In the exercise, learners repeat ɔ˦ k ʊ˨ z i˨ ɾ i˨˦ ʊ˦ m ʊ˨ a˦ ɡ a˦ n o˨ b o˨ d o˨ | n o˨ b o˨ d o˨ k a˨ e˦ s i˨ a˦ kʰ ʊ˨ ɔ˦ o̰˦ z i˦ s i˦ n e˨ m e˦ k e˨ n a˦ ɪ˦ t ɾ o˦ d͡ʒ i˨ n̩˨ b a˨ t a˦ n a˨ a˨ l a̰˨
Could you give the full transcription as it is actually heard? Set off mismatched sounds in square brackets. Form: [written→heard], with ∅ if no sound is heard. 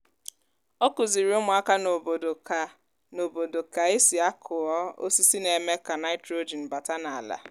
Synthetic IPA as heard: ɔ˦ k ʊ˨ z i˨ ɾ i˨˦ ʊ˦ m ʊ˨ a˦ [ɡ→k] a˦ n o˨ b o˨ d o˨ | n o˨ b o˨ d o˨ k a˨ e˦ s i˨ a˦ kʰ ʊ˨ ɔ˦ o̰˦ [z→s] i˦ s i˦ n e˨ m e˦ k [e˨→a˨] n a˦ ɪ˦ t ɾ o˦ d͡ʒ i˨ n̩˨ b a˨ t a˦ n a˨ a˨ l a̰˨